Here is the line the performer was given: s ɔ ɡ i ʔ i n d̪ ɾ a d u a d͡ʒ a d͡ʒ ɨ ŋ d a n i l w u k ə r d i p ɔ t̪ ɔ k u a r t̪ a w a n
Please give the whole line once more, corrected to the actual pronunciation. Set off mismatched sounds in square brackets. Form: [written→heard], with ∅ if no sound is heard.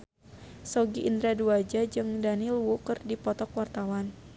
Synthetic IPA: s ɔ ɡ i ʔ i n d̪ ɾ a d u a d͡ʒ a d͡ʒ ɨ ŋ d a n i l w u k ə r d i p ɔ t̪ ɔ k [u→w] a r t̪ a w a n